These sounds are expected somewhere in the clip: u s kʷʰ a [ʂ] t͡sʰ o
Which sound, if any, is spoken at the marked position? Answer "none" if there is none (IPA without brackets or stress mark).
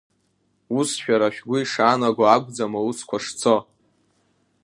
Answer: ʂ